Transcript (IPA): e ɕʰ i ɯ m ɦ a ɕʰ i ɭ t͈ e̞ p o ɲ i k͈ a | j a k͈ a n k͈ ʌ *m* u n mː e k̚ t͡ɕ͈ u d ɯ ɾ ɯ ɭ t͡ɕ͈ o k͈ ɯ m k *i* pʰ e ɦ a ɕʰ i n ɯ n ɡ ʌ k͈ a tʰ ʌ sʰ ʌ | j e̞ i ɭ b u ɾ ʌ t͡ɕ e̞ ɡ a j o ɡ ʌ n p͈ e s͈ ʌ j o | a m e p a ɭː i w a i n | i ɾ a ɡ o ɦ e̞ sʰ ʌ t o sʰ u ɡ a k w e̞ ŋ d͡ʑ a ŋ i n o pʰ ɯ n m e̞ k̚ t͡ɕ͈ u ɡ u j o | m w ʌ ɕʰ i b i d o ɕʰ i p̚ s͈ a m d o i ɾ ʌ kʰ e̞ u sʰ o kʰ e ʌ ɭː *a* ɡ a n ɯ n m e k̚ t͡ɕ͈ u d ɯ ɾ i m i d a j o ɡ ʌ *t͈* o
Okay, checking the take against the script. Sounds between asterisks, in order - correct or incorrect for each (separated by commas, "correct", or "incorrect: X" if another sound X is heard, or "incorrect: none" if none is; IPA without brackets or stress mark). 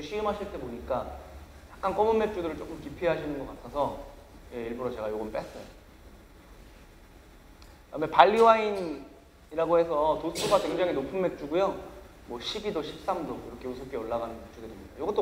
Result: correct, correct, correct, correct